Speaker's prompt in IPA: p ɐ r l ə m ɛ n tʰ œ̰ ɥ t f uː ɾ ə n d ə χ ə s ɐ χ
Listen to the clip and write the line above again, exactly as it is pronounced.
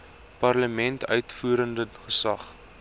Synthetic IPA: p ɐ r l ə m ɛ n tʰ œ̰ ɥ t f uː ɾ ə n d ə χ ə s ɐ χ